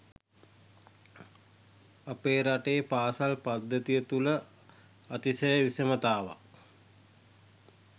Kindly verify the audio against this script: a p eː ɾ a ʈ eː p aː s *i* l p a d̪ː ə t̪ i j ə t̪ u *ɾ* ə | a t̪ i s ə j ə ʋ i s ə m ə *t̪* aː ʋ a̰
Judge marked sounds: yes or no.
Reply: no, no, yes

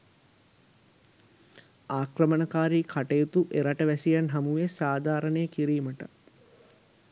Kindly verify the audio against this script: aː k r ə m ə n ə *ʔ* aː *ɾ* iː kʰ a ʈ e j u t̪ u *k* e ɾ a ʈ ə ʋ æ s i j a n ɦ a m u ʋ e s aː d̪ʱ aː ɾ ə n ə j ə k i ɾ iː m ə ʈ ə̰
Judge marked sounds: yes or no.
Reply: no, yes, no

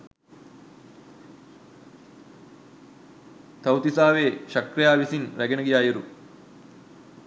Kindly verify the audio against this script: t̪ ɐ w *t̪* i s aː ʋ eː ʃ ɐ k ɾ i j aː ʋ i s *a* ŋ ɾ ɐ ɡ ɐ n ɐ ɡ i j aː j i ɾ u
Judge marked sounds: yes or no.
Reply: yes, no

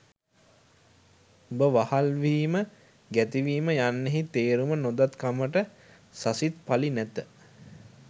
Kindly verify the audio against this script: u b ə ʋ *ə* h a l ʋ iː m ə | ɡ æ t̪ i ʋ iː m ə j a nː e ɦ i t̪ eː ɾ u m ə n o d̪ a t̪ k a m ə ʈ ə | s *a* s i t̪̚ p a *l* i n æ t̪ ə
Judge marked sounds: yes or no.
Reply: no, yes, yes

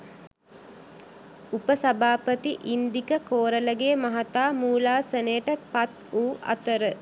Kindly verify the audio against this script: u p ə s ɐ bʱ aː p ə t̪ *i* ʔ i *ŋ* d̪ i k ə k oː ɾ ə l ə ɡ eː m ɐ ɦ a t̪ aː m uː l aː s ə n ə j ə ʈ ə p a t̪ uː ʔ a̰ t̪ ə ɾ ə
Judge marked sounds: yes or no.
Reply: yes, no

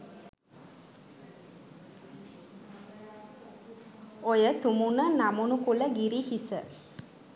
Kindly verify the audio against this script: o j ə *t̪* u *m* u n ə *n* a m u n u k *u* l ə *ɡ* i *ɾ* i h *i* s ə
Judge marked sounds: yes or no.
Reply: yes, yes, yes, yes, yes, yes, yes

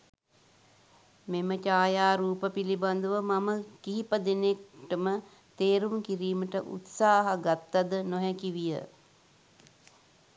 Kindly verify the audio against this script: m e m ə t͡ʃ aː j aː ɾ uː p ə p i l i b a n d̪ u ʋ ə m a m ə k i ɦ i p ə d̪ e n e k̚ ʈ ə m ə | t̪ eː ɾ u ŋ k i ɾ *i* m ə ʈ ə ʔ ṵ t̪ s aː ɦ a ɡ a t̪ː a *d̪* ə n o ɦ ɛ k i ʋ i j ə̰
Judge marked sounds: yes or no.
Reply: no, yes

